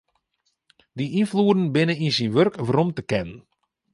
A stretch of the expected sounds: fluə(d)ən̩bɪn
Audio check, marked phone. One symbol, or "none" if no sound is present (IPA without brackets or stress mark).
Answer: d